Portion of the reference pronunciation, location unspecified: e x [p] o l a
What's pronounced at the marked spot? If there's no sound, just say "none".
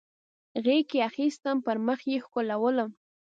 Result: k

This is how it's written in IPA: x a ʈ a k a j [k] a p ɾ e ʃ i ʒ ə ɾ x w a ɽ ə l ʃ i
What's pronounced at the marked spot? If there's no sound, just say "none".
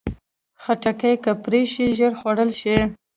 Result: k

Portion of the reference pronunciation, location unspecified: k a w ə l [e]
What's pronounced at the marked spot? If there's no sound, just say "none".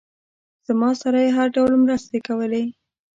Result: e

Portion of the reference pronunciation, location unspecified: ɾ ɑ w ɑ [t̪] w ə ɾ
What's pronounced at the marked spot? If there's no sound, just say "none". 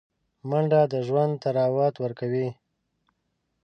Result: t̪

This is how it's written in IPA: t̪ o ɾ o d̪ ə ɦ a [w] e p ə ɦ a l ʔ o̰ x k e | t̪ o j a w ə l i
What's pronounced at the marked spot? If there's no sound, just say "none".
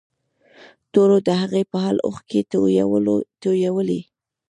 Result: ɣ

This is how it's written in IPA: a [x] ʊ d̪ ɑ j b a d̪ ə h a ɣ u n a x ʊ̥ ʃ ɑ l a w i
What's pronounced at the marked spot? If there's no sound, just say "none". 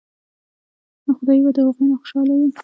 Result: x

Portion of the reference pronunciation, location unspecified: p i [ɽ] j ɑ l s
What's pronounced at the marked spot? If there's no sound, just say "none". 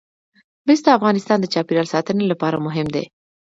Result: ɾ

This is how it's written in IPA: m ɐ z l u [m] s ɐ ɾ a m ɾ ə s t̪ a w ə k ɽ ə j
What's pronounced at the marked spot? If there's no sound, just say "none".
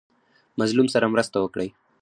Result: m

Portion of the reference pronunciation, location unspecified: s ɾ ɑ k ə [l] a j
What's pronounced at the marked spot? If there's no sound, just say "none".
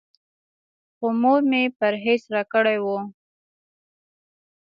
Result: ɽ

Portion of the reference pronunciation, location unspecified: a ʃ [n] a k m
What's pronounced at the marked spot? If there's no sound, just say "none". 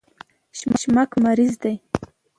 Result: m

